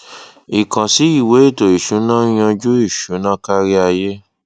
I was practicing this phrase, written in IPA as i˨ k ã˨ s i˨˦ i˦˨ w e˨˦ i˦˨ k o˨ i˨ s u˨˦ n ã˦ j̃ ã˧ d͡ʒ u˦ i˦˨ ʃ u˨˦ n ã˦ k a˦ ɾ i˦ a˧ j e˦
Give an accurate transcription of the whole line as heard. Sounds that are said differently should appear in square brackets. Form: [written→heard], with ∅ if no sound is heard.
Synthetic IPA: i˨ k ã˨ s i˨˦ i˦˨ w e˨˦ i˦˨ [k→t] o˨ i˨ [s→ʃ] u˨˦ n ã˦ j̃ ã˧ d͡ʒ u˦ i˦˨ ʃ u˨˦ n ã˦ k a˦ ɾ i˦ a˧ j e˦